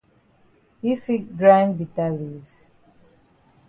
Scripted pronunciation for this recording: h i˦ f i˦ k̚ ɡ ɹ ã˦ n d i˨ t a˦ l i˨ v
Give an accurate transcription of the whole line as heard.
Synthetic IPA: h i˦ f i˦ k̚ ɡ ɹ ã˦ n b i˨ t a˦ l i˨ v